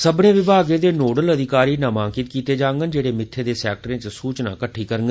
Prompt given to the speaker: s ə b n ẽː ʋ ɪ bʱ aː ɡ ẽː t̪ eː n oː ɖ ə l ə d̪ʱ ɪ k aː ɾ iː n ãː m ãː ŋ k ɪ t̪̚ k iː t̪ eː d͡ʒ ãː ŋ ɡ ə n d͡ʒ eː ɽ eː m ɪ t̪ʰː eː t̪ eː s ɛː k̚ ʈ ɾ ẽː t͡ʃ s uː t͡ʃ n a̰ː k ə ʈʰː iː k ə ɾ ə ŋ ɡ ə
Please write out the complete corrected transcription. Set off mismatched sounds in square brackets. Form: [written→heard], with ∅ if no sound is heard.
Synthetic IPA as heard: s ə b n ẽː ʋ ɪ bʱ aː ɡ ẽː [t̪→d̪] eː n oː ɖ ə l ə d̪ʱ ɪ k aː ɾ iː n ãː m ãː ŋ k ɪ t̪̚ k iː t̪ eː d͡ʒ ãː ŋ ɡ ə n d͡ʒ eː ɽ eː m ɪ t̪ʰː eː [t̪→d̪] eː s ɛː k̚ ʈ ɾ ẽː t͡ʃ s uː t͡ʃ n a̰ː k ə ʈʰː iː k ə ɾ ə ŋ ɡ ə